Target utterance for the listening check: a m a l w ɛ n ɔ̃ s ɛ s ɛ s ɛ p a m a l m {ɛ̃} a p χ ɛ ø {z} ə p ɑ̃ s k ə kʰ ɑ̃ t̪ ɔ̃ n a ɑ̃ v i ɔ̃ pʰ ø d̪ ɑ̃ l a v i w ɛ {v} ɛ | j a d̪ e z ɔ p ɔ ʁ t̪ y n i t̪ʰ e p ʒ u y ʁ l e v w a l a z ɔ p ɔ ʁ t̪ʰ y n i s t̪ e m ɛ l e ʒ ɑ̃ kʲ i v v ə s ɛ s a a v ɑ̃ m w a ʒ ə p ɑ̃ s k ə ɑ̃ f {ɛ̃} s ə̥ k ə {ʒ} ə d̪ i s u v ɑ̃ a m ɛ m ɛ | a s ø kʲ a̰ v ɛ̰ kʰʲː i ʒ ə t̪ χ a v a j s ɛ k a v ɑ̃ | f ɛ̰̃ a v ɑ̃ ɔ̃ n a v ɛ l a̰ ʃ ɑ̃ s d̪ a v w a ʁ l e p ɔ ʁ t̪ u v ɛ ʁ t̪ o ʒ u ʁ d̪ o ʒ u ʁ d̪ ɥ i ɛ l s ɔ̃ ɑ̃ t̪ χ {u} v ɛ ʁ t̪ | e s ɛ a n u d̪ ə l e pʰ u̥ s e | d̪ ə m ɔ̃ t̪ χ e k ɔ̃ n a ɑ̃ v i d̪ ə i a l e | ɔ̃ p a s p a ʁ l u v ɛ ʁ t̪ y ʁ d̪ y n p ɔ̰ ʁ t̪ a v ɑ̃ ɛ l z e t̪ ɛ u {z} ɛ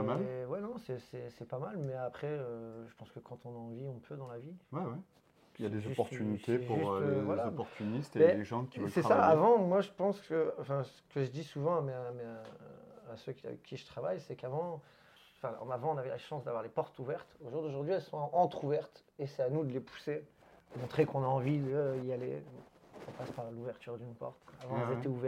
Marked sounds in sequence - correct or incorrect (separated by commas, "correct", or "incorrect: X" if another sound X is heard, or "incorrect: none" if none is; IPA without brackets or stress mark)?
incorrect: ɛ, incorrect: ʒ, incorrect: w, correct, correct, correct, incorrect: v